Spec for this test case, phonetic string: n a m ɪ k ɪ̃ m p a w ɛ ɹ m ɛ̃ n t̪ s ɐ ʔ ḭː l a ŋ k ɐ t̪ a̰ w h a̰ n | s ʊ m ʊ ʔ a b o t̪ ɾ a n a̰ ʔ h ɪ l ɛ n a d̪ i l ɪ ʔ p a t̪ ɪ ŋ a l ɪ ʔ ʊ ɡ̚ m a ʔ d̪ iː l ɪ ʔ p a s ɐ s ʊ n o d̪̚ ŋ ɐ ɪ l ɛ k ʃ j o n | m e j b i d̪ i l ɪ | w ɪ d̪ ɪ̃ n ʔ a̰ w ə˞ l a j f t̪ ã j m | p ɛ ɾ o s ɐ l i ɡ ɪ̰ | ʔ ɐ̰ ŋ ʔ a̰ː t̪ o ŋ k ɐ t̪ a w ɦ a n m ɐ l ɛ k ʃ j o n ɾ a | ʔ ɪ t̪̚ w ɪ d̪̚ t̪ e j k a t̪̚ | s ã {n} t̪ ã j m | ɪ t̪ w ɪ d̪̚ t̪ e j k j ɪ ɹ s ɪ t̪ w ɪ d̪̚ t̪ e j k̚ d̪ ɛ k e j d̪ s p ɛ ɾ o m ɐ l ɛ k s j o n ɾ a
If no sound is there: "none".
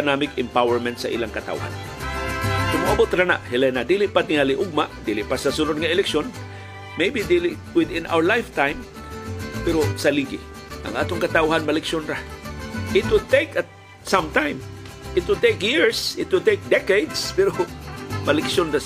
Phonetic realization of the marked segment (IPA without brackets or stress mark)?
m